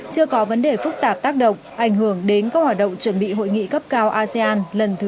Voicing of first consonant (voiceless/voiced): voiceless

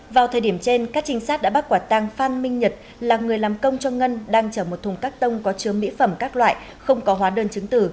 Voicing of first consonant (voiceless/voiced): voiced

